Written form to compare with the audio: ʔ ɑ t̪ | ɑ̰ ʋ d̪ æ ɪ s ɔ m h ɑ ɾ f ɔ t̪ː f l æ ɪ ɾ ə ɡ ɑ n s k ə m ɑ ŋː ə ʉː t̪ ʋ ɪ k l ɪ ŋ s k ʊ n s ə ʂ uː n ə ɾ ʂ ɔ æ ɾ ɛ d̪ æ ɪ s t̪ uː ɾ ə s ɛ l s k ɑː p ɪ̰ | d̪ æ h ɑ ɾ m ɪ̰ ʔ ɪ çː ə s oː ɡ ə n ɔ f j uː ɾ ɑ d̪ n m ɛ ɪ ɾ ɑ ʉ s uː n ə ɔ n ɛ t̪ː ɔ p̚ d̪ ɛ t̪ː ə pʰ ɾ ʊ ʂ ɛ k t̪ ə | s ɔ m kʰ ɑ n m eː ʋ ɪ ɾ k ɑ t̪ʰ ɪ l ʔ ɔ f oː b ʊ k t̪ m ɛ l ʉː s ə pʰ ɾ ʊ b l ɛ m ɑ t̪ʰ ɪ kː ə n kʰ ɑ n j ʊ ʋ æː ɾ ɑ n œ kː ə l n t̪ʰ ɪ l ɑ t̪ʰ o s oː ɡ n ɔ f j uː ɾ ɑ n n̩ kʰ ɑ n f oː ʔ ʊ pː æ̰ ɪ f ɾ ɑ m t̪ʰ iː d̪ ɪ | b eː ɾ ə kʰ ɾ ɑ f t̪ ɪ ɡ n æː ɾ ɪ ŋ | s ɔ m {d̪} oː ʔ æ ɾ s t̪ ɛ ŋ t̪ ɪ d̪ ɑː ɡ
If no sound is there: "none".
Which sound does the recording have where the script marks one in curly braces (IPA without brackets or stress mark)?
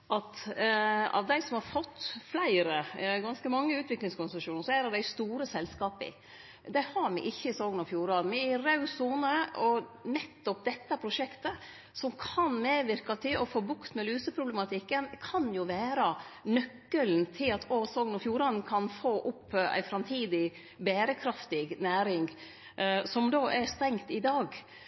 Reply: d̪